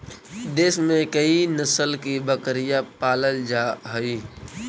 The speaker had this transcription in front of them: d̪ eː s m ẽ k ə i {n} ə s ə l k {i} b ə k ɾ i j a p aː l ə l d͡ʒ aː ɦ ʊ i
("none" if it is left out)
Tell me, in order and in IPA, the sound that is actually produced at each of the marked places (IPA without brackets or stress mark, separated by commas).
n, i